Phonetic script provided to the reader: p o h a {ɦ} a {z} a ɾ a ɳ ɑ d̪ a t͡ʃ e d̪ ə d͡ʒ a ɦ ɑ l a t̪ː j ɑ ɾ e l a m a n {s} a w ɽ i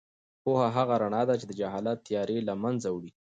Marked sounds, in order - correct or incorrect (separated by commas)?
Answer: correct, incorrect, incorrect